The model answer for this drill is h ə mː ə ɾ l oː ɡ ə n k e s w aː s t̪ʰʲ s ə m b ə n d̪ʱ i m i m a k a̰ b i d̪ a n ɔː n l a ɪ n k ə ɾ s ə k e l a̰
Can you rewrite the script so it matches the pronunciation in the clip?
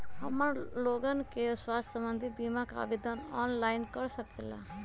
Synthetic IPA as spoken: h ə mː ə ɾ l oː ɡ ə n k e s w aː s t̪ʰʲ s ə m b ə n d̪ʱ i b i m a k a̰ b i d̪ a n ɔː n l a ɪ n k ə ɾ s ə k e l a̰